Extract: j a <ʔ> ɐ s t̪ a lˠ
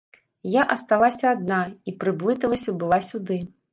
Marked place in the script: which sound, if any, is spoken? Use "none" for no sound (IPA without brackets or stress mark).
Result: ʔ